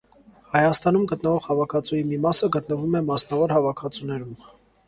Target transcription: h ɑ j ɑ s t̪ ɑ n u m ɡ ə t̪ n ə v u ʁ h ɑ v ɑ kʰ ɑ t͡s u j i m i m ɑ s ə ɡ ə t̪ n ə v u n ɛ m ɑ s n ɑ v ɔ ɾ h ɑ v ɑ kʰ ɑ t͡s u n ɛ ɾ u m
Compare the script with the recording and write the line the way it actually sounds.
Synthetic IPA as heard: h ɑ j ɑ s t̪ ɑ n u m ɡ ə t̪ n ə v ɔ ʁ h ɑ v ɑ kʰ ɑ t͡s u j i m i m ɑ s ə ɡ ə t̪ n ə v u m ɛ m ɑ s n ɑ v ɔ ɾ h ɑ v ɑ kʰ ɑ t͡s u n ɛ ɾ u m